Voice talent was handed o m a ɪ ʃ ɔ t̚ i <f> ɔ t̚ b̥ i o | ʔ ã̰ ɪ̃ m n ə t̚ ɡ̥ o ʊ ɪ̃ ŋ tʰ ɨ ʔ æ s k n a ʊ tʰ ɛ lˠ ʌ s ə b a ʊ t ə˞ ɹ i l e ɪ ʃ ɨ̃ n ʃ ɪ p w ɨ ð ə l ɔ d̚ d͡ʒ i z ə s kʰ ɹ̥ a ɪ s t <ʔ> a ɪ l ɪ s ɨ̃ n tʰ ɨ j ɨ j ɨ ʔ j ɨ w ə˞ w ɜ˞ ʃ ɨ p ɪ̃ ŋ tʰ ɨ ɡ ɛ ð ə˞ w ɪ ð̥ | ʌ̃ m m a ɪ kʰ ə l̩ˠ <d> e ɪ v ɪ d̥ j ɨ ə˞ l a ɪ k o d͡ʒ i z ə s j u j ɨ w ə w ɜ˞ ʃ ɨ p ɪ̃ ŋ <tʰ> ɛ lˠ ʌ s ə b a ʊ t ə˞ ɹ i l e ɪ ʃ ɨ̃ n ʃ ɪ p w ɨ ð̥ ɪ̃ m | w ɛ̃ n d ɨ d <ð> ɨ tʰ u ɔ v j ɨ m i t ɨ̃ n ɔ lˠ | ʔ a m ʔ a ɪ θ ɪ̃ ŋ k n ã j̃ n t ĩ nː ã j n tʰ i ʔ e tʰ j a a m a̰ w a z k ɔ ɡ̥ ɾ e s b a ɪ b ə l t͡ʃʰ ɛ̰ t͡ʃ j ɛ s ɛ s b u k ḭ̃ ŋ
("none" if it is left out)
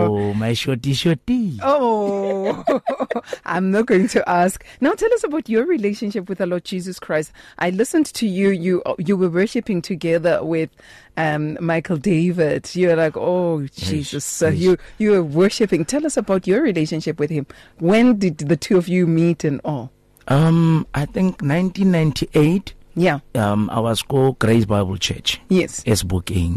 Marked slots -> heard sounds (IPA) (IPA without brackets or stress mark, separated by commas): ʃ, ʔ, d, tʰ, ð